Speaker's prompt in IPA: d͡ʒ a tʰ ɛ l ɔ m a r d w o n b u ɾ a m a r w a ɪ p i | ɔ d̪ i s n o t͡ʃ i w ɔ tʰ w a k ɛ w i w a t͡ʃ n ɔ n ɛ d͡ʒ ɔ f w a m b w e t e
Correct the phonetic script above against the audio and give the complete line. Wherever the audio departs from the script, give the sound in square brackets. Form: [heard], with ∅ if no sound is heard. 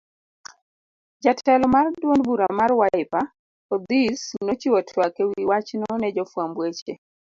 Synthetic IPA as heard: d͡ʒ a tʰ ɛ l ɔ m a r d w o n b u ɾ a m a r w a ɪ p [a] | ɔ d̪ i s n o t͡ʃ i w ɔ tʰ w a k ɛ w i w a t͡ʃ n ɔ n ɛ d͡ʒ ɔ f w a m b w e [t͡ʃ] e